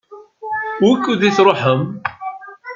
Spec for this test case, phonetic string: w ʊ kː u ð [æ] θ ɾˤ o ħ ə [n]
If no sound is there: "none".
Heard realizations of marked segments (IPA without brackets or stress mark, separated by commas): i, m